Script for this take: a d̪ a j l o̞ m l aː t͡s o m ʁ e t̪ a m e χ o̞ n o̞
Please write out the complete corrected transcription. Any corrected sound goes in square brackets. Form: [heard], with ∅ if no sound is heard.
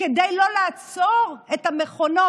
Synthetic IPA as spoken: [e] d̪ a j l o̞ [∅] l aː t͡s o [∅] ʁ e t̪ a m e χ o̞ n o̞